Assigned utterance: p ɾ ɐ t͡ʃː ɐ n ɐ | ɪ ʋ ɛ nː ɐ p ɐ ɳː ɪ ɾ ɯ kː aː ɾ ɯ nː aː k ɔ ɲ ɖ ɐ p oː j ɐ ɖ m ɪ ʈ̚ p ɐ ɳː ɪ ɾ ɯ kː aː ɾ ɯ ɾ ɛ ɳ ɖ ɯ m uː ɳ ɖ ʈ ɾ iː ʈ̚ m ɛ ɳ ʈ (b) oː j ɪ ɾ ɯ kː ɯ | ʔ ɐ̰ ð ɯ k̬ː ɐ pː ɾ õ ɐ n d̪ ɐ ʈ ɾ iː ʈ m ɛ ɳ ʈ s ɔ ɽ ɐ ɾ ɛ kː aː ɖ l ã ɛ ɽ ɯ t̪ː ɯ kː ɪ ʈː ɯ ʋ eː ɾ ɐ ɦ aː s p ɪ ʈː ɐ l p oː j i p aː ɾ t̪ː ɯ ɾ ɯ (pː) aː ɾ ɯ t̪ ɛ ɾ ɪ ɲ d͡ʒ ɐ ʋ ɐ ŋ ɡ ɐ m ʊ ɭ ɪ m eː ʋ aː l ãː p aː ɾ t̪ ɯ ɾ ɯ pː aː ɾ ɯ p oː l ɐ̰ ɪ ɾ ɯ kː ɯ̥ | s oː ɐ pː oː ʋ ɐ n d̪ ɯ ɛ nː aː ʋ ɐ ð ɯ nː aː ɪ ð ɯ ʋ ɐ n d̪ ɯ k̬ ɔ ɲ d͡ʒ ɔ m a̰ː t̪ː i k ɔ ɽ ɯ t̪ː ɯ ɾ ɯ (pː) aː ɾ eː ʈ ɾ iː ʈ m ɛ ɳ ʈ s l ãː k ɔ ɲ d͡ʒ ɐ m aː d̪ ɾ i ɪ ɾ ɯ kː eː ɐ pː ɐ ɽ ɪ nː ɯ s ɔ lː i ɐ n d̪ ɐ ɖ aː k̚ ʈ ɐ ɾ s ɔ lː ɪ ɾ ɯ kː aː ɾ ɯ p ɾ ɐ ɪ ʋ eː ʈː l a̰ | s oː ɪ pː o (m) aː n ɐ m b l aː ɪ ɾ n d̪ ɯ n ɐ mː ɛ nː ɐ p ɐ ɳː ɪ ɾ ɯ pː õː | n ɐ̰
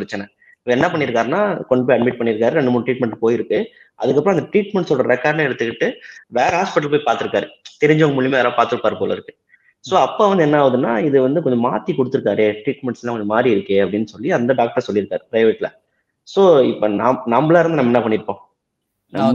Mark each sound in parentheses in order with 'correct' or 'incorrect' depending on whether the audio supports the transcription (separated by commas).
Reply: incorrect, incorrect, incorrect, incorrect